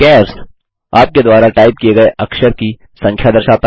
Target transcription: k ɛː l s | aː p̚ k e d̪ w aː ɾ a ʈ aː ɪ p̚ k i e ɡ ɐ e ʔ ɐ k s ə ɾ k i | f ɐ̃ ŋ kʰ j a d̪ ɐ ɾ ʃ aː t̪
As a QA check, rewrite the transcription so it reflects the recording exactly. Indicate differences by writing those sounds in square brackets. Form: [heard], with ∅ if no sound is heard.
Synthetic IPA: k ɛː [ɾ] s | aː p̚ k e d̪ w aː ɾ a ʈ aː ɪ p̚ k i e ɡ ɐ e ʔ ɐ k [ʃ] ə ɾ k i | [s] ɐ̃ ŋ kʰ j a d̪ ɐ ɾ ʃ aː t̪